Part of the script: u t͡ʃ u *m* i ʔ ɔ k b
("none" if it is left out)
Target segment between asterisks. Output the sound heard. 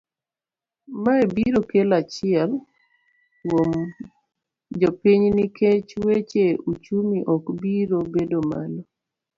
m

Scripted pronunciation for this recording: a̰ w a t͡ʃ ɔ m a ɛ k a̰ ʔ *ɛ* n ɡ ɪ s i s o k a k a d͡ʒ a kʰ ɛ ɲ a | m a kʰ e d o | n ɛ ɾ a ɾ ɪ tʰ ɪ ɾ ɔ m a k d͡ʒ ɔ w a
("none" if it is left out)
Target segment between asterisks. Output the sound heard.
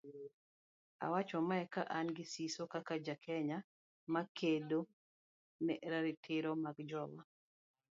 a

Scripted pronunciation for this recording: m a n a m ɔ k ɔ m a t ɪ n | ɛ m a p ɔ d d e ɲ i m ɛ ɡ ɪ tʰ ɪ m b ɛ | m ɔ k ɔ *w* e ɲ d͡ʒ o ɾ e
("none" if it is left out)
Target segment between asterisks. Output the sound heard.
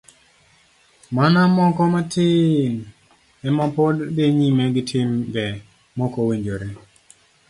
w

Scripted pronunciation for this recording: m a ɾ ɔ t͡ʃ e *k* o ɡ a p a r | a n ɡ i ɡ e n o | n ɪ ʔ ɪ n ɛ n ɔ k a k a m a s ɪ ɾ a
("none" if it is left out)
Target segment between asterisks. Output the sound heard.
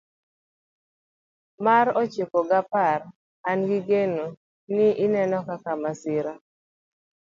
k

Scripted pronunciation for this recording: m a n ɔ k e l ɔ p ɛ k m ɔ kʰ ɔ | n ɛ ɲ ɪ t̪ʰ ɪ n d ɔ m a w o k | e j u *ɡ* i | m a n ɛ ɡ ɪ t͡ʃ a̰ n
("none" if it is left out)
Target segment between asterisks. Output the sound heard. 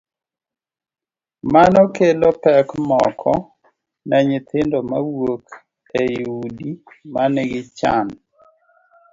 d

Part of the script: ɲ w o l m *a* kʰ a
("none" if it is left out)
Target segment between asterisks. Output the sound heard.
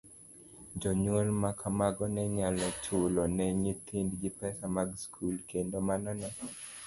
a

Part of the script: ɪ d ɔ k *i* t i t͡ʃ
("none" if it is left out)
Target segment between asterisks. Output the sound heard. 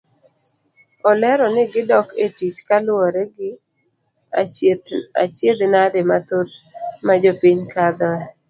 e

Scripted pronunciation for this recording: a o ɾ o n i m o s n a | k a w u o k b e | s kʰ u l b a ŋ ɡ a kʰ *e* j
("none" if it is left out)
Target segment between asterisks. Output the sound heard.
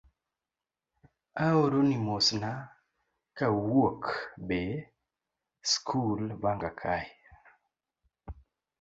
a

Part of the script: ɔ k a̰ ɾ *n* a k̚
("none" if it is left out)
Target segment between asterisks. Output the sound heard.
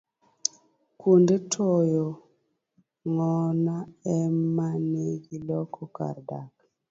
d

